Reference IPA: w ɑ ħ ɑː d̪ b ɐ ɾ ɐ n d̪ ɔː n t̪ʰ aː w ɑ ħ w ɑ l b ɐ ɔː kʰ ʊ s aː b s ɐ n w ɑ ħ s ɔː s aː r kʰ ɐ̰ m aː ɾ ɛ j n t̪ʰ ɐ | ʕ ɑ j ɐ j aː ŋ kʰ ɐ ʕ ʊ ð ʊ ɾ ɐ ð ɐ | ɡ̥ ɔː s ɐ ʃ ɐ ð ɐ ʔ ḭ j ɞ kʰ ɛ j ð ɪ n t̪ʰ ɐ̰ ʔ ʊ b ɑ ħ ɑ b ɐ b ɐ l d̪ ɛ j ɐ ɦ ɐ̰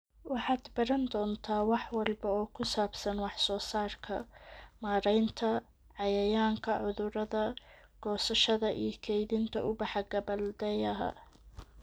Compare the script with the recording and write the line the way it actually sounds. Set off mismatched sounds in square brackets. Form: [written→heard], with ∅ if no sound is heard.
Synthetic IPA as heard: w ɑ ħ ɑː d̪ b ɐ ɾ ɐ n d̪ ɔː n t̪ʰ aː w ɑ ħ w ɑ l b ɐ ɔː kʰ ʊ s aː b s ɐ n w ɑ ħ s ɔː s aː r kʰ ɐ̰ m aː ɾ ɛ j n t̪ʰ ɐ | ʕ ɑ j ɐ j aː ŋ kʰ ɐ ʕ ʊ ð ʊ ɾ ɐ ð ɐ | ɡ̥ ɔː s ɐ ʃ ɐ ð ɐ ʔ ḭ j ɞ kʰ ɛ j ð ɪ n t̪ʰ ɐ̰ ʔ ʊ b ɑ ħ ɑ [b→ɡ] ɐ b ɐ l d̪ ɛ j ɐ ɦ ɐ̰